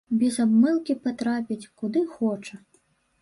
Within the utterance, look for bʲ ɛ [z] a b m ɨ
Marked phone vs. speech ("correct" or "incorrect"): correct